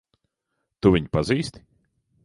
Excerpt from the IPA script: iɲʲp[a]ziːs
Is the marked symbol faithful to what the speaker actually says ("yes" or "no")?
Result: yes